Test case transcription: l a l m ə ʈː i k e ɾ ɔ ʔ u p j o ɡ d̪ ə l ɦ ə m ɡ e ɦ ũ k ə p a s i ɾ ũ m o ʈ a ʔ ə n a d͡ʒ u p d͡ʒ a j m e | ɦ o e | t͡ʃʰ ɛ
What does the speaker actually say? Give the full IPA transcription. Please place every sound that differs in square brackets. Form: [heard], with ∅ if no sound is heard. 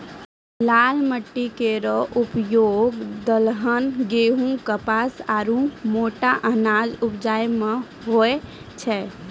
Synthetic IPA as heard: l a l m ə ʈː i k e ɾ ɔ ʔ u p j o ɡ d̪ ə l ɦ ə [n] ɡ e ɦ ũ k ə p a s [a] ɾ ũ m o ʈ a ʔ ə n a d͡ʒ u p d͡ʒ a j m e | ɦ o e | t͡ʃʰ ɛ